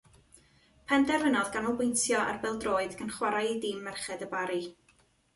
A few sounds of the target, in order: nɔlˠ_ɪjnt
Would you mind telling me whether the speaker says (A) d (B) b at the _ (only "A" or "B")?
B